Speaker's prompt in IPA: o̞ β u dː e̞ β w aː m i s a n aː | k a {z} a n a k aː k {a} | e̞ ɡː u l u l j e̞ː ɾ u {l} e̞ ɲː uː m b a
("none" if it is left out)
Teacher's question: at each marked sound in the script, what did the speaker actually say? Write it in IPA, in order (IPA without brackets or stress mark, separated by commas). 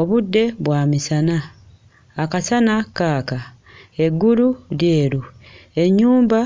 s, a, none